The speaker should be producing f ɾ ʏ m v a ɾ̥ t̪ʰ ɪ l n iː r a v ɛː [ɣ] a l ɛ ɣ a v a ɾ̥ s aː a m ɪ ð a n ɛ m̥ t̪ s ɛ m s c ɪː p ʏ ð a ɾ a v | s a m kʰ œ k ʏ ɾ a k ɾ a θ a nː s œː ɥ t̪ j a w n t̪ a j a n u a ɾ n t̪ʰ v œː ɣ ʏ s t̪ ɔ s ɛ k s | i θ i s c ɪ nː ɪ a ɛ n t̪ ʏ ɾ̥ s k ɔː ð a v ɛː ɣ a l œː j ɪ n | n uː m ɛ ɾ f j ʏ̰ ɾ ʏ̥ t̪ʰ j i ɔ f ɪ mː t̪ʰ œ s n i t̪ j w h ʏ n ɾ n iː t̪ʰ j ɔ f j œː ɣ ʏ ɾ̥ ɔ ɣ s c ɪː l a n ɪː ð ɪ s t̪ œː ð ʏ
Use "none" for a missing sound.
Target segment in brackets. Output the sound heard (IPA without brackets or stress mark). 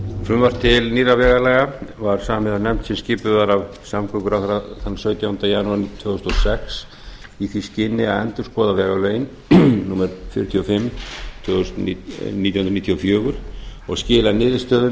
ɣ